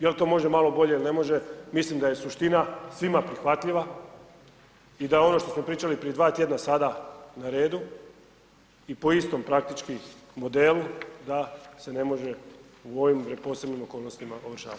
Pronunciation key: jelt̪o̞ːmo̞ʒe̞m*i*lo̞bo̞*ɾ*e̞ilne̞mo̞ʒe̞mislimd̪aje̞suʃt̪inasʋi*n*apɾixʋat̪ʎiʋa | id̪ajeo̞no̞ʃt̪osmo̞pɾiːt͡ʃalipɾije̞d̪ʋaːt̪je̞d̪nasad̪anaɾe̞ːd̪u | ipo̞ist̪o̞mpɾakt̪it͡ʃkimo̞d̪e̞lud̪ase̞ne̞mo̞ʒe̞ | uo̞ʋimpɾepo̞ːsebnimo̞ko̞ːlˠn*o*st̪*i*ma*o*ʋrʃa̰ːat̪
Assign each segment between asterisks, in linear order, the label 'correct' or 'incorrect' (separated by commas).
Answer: incorrect, incorrect, incorrect, correct, correct, correct